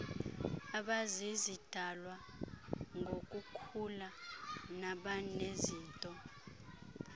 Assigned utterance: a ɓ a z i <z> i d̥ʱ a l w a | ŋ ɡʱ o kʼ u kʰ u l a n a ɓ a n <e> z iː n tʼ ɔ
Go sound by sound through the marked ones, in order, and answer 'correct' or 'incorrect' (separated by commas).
correct, correct